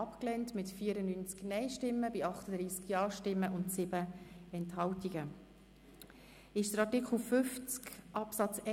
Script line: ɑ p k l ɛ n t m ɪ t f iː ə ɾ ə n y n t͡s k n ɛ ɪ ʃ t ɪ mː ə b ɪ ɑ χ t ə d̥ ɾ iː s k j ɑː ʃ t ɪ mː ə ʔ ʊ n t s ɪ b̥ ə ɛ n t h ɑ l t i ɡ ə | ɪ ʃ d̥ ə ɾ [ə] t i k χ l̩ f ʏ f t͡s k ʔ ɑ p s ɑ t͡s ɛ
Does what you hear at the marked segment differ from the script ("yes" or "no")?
yes